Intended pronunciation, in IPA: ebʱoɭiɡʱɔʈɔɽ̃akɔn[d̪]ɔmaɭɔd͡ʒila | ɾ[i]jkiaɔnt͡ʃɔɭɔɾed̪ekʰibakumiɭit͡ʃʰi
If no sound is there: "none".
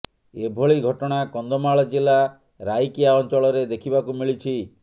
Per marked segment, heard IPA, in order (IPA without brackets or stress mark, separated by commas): d̪, a